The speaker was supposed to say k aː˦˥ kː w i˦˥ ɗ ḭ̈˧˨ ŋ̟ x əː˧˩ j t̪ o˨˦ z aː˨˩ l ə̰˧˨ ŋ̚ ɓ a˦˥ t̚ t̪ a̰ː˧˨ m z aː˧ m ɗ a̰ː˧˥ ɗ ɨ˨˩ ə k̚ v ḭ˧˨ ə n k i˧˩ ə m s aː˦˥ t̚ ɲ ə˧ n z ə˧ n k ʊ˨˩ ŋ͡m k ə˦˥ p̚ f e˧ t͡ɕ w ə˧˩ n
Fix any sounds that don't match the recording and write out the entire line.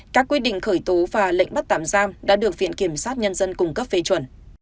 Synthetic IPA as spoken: k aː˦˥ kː w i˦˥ ɗ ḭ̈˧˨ ŋ̟ x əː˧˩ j t̪ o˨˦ v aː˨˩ l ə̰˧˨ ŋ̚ ɓ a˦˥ t̚ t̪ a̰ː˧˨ m z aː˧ m ɗ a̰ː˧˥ ɗ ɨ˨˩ ə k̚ v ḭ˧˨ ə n k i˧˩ ə m s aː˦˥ t̚ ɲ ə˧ n z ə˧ n k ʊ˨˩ ŋ͡m k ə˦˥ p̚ f e˧ t͡ɕ w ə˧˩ n